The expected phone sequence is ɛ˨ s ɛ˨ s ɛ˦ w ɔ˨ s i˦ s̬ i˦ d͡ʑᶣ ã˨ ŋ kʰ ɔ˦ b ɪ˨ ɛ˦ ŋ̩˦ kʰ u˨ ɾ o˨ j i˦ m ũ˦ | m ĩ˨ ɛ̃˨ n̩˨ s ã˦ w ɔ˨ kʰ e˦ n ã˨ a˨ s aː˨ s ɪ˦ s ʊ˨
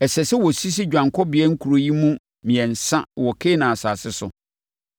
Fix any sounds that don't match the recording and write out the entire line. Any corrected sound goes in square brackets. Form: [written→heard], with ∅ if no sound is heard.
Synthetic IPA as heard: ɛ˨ s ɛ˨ s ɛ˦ w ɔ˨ s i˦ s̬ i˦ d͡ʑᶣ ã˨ ŋ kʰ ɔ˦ b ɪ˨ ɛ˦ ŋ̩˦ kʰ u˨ ɾ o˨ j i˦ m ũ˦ | m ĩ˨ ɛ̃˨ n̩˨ s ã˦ w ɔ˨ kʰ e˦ n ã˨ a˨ s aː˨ s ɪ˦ s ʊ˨